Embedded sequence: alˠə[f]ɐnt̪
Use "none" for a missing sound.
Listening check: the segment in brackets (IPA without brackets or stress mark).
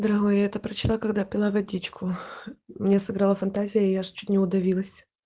f